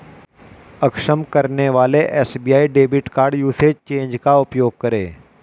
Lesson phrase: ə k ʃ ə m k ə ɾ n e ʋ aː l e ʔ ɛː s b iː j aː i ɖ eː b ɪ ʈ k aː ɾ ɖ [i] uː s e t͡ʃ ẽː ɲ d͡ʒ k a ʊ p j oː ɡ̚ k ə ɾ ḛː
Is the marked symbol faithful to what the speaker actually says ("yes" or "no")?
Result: no